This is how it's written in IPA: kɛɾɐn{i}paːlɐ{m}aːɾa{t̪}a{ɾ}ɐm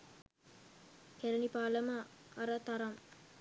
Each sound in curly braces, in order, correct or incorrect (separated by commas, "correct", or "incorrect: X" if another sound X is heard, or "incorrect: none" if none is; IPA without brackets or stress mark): correct, correct, correct, correct